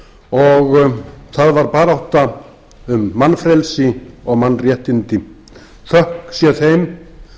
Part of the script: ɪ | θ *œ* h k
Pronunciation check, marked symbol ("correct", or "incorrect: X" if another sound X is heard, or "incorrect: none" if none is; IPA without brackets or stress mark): correct